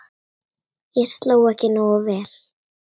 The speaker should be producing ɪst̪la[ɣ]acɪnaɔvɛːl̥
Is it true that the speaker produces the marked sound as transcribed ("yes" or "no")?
no